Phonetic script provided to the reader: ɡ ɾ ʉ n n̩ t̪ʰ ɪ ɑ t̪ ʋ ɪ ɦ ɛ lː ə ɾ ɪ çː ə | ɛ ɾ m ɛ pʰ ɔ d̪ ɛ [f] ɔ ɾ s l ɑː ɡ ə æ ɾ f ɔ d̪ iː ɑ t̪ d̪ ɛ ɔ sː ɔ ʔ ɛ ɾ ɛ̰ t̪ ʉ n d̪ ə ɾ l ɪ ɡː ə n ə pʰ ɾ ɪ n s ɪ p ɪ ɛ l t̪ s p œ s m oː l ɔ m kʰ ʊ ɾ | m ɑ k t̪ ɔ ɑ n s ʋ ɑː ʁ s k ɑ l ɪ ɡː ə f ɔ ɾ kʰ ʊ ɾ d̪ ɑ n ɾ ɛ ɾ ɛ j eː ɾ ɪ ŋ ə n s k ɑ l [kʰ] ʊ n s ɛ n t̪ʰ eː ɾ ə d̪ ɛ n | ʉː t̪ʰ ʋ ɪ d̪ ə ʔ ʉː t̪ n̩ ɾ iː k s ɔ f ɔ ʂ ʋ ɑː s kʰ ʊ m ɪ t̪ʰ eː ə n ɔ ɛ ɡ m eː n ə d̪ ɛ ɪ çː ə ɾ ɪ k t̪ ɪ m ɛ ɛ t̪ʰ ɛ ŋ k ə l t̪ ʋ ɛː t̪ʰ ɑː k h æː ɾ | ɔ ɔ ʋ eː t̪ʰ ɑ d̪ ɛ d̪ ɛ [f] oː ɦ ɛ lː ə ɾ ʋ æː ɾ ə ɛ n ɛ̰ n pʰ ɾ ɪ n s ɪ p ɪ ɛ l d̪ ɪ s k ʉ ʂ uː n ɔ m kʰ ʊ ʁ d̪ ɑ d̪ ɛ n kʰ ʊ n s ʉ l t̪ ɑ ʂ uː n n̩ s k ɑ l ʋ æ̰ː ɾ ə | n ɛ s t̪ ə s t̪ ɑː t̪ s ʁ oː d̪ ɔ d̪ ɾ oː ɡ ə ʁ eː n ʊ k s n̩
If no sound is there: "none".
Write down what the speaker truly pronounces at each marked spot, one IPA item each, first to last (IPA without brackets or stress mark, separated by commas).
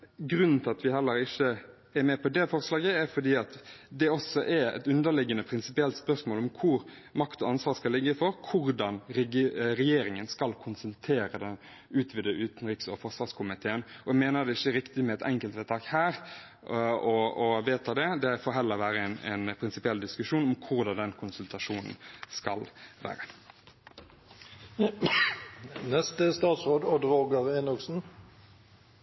f, kʰ, f